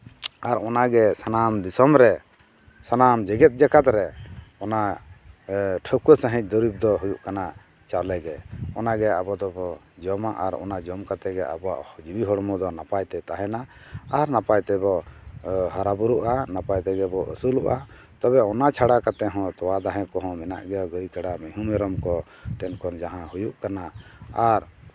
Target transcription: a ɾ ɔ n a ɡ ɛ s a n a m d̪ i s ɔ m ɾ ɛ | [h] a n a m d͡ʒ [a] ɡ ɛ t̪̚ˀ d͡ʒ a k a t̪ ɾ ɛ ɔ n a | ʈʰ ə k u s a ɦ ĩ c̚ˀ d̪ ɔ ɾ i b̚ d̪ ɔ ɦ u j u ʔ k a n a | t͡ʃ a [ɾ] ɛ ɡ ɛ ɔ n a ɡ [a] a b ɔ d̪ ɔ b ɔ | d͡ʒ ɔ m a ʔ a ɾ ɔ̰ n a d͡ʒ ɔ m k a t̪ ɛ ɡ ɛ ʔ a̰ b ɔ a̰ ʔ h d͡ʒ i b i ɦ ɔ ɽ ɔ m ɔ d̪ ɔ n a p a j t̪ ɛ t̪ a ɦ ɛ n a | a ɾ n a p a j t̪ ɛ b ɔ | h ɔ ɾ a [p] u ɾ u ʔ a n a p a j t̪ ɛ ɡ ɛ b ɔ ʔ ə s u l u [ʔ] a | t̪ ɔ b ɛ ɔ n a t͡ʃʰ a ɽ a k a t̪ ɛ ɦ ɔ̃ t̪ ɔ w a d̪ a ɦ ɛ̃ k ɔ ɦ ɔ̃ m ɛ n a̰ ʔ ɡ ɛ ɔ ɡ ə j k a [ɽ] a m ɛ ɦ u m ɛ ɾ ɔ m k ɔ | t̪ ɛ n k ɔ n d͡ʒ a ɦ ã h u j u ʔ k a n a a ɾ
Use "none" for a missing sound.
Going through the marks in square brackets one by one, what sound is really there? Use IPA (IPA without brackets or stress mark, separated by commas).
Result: s, ɛ, l, ɛ, b, ʔ, ɽ